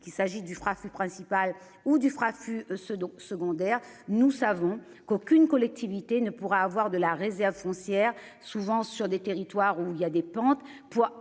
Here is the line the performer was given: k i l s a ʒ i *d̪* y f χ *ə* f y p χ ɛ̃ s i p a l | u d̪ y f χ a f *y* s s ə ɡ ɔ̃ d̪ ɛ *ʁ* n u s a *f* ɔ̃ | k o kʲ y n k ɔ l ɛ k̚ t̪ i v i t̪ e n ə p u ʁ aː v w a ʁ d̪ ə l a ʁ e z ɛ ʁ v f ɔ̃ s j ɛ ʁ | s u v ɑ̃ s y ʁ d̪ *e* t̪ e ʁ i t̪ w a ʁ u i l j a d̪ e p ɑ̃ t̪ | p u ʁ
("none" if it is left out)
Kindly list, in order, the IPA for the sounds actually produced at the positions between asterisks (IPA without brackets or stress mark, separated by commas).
d̪, a, y, ʁ, v, e